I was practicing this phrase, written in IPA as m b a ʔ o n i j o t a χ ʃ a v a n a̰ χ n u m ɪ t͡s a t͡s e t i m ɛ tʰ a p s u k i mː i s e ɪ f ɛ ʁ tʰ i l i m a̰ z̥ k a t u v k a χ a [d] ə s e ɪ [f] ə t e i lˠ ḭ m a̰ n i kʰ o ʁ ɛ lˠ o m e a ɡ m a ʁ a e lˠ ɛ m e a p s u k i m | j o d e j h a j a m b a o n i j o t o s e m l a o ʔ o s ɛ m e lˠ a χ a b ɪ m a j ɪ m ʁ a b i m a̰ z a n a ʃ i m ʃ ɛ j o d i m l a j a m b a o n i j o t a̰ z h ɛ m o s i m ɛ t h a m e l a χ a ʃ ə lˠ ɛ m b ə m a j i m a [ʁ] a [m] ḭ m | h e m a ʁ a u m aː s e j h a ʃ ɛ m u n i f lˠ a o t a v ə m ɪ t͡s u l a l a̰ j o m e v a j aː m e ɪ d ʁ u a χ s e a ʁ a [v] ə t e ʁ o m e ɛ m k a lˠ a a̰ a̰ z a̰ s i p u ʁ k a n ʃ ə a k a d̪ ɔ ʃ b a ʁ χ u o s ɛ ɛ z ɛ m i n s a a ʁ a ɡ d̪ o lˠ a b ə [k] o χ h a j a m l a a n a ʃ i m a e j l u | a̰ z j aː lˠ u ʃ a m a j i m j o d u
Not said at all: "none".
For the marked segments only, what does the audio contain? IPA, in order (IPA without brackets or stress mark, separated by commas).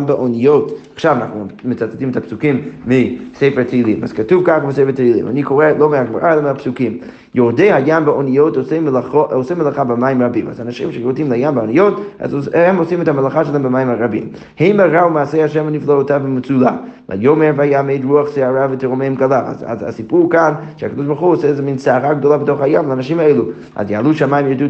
b, f, ʁ, b, v, t